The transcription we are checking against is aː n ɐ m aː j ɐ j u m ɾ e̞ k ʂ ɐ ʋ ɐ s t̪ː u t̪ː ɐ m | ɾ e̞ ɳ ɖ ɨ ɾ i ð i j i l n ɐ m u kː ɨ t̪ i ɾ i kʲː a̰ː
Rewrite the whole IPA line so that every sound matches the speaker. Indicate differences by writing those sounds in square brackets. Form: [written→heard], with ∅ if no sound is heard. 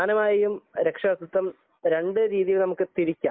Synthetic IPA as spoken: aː n ɐ m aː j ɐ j u m ɾ e̞ k ʂ ɐ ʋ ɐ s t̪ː u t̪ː ɐ m | ɾ e̞ ɳ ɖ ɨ ɾ [i→iː] ð i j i l n ɐ m u kː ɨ t̪ i ɾ i kʲː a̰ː